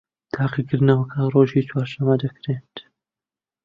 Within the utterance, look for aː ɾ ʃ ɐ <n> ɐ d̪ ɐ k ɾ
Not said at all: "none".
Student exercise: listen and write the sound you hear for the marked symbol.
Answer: m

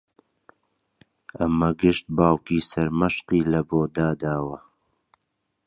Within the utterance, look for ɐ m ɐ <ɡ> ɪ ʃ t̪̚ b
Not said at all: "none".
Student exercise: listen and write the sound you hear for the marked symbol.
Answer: ɡ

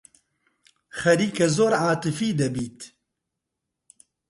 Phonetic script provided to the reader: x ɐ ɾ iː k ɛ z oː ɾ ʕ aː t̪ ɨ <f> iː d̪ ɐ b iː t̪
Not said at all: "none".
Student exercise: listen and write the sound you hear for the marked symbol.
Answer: f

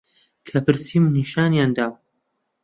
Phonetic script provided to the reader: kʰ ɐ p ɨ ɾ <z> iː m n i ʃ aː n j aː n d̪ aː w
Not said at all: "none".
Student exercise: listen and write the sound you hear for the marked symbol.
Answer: s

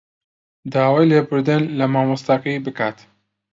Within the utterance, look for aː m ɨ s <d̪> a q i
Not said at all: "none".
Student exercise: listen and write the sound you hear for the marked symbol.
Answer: t̪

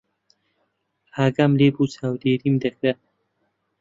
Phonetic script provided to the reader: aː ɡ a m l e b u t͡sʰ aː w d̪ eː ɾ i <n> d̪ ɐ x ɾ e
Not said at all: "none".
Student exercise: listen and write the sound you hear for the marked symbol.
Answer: m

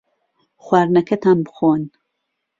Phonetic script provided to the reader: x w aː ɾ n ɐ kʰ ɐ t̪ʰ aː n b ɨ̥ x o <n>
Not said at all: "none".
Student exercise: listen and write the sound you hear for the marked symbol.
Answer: n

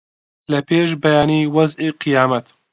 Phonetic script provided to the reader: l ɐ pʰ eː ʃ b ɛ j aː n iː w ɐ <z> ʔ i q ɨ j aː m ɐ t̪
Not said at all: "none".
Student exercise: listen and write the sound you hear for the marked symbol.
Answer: z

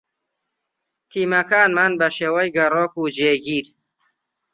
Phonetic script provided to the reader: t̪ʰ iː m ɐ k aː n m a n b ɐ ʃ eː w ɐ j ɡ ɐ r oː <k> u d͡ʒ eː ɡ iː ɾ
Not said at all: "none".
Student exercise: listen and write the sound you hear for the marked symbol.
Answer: k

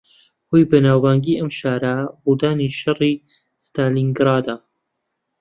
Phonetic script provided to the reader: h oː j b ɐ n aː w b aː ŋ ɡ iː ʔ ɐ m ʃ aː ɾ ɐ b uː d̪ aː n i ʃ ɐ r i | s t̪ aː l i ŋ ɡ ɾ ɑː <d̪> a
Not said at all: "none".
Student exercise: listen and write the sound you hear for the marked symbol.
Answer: d̪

